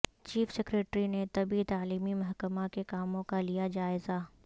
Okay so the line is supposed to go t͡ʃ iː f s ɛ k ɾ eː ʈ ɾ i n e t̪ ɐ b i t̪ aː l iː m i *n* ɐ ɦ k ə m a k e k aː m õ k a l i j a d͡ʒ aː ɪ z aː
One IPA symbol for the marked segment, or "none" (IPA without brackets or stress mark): m